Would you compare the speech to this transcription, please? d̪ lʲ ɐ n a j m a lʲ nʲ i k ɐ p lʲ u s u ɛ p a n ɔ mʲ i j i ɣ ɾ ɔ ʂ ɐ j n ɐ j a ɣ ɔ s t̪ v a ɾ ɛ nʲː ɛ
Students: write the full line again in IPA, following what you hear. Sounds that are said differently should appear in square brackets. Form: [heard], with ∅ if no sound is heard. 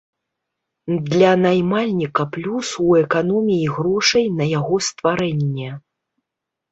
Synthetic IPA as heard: d̪ lʲ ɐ n a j m a lʲ nʲ i k ɐ p lʲ u s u ɛ [k] a n ɔ mʲ i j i ɣ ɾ ɔ ʂ ɐ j n ɐ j a ɣ ɔ s t̪ v a ɾ ɛ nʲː ɛ